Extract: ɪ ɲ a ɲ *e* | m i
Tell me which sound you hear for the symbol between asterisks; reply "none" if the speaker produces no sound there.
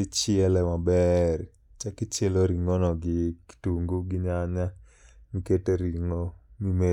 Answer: a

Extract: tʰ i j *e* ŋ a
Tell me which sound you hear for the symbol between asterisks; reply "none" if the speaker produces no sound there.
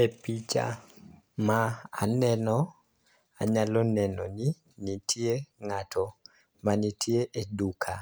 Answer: e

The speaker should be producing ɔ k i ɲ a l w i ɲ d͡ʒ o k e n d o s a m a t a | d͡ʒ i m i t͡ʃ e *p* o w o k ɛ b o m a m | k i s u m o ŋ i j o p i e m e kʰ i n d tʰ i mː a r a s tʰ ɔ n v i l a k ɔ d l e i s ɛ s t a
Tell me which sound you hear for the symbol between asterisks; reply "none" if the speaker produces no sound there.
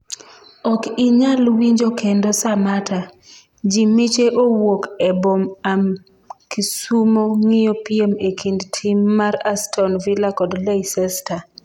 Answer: ʔ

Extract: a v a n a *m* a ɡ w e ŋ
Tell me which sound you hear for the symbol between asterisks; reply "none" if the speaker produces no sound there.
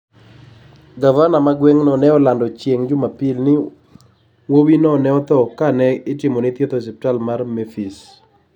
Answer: m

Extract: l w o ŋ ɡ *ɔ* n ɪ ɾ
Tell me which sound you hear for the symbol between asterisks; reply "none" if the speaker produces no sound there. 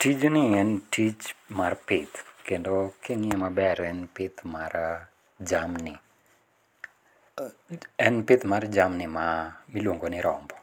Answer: o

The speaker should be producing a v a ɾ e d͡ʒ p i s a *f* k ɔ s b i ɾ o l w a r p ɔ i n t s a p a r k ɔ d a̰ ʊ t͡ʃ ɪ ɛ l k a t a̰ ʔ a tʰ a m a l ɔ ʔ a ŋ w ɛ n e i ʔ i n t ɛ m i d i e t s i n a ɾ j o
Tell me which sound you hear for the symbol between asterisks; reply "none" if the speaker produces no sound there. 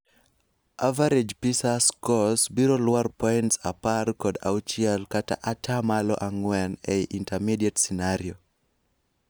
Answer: s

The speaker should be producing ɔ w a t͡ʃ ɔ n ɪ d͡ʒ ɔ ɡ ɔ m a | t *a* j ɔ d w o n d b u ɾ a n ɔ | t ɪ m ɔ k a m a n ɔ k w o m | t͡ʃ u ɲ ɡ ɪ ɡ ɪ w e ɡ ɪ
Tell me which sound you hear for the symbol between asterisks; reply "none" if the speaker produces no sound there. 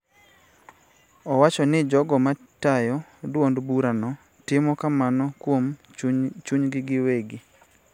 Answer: a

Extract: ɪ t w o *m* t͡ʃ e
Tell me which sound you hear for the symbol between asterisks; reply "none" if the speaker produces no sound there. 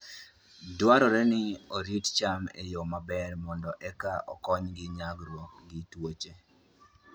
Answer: none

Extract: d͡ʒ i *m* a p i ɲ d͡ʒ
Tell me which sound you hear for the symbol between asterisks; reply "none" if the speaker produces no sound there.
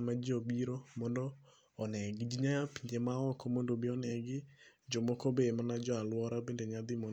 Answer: ɲ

